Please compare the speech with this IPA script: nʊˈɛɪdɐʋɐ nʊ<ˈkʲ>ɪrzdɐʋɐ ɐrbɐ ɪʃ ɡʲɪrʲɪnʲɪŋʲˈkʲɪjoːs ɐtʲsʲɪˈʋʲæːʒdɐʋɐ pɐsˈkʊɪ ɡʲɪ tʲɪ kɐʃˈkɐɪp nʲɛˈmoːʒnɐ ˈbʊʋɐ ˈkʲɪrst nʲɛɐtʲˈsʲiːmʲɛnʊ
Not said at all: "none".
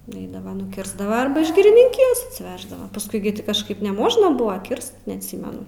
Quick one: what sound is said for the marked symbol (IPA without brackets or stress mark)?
kʲ